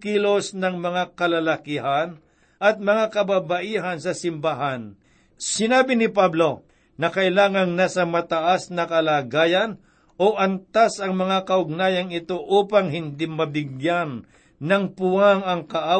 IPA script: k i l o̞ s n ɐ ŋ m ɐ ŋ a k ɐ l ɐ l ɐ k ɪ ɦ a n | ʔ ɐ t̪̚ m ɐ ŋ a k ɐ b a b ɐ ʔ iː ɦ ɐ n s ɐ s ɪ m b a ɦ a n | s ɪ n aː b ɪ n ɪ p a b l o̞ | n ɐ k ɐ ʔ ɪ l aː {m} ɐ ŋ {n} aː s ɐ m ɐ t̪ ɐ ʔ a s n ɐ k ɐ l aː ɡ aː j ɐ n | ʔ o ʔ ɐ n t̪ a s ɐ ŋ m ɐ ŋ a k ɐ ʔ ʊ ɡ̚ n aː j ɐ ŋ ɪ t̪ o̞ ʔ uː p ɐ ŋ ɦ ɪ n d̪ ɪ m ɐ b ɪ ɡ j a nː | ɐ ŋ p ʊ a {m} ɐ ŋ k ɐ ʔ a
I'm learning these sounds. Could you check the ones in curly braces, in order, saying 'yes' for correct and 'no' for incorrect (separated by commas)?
no, yes, no